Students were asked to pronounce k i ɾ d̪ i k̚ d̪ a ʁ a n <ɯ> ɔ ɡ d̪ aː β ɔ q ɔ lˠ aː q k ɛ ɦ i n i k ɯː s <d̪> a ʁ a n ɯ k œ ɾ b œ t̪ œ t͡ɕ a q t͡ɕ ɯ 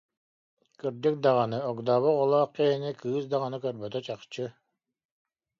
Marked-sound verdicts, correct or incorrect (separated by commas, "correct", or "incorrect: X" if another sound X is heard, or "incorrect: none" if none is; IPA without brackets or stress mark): correct, correct